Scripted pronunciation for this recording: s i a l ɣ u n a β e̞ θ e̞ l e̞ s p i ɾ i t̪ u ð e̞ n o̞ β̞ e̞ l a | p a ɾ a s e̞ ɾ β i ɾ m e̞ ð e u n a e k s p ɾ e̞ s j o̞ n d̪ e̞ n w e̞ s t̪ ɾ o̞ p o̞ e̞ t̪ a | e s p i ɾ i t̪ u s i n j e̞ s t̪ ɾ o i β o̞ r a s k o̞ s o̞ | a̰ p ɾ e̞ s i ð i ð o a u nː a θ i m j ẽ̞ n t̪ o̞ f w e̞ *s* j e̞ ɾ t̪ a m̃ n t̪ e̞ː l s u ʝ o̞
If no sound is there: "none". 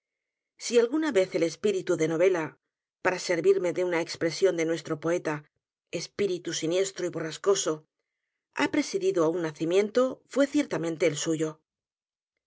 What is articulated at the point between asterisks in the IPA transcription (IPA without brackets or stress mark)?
θ